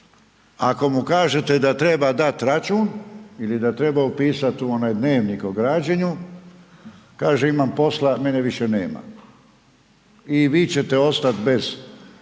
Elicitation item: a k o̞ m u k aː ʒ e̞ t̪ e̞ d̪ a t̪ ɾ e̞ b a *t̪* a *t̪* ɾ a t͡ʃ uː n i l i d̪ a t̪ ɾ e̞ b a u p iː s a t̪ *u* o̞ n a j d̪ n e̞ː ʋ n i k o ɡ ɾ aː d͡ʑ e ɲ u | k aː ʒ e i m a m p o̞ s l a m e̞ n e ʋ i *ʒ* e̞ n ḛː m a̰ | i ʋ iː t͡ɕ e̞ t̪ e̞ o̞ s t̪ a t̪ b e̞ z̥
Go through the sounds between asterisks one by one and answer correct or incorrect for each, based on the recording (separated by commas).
incorrect, correct, correct, incorrect